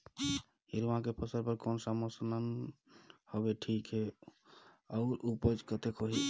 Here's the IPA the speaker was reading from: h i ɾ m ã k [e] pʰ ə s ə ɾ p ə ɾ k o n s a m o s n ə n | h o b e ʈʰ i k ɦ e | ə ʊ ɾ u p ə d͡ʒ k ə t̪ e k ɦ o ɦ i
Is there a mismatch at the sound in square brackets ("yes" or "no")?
no